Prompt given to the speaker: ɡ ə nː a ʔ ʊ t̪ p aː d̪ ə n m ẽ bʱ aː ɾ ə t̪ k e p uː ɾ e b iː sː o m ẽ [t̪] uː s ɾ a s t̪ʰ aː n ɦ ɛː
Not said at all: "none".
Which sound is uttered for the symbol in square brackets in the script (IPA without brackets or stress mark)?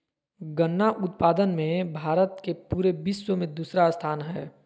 d̪